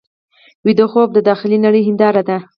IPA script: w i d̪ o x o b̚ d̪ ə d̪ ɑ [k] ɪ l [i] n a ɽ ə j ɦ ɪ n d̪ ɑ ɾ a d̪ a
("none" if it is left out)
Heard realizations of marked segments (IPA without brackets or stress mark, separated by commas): x, i